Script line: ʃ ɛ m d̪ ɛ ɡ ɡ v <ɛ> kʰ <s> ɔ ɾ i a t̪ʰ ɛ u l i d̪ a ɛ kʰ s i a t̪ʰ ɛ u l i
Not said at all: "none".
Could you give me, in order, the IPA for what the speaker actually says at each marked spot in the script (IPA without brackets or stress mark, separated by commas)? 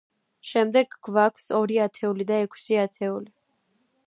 a, s